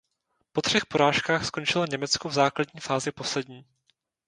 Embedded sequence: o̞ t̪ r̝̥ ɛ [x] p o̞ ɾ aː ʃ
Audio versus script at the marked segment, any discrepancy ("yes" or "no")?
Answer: no